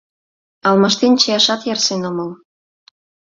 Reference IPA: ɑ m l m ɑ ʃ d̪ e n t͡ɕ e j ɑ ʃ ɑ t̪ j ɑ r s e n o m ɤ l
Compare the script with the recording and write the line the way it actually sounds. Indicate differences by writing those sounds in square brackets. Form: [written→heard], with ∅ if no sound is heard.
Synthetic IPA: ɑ [m→∅] l m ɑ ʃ [d̪→t̪] e n t͡ɕ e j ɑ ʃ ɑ t̪ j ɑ r s e n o m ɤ l

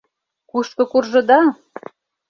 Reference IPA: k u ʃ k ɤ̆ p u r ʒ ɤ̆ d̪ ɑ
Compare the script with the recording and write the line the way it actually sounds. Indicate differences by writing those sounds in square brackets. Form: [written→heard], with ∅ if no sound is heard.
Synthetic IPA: k u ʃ k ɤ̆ [p→k] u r ʒ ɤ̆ d̪ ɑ

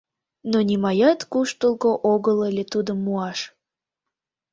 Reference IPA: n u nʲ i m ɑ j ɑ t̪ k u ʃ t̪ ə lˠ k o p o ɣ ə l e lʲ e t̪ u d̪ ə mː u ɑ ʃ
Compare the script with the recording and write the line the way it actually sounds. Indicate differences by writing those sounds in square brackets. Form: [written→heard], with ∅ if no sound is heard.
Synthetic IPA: n [u→o] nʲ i m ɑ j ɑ t̪ k u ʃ t̪ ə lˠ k o [p→ʔ] o ɣ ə l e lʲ e t̪ u d̪ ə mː u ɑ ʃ

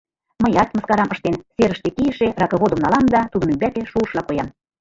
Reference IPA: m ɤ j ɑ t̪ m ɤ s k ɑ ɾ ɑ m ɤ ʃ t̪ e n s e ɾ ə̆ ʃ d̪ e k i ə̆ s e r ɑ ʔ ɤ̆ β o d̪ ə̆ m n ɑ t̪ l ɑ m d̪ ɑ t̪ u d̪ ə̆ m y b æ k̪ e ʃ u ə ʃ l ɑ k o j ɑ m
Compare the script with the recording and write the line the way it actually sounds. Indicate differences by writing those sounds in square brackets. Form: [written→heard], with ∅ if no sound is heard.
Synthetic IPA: m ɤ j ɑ t̪ m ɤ s k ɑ ɾ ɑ m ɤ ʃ t̪ e n s e ɾ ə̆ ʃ [d̪→t̪] e k i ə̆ [s→ʃ] e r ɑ [ʔ→k] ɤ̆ β o d̪ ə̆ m n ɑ [t̪→∅] l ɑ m d̪ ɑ t̪ u d̪ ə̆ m y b æ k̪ e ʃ u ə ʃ l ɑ k o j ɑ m

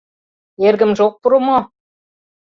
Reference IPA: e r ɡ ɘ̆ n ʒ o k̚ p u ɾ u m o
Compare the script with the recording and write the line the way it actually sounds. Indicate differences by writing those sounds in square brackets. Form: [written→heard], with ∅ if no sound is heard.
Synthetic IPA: e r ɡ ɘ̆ [n→m] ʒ o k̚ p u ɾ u m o

